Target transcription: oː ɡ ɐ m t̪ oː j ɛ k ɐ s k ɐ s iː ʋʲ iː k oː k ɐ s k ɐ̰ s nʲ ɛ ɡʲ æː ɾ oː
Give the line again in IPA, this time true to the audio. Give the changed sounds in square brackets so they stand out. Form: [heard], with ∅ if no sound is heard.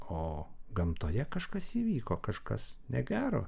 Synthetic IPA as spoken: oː ɡ ɐ m t̪ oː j ɛ k ɐ [ʃ] k ɐ s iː ʋʲ iː k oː k ɐ [ʃ] k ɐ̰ s nʲ ɛ ɡʲ æː ɾ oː